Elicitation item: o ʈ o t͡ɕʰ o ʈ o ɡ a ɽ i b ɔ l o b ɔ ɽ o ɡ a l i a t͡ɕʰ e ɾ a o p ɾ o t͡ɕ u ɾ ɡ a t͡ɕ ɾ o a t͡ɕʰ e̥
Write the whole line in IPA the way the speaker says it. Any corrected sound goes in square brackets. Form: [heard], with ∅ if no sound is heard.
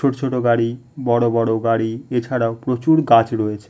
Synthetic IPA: o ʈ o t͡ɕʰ o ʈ o ɡ a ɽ i b ɔ [ɽ] o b ɔ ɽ o ɡ a [ɽ] i [e] t͡ɕʰ [a] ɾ a o p ɾ o t͡ɕ u ɾ ɡ a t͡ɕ ɾ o [e] t͡ɕʰ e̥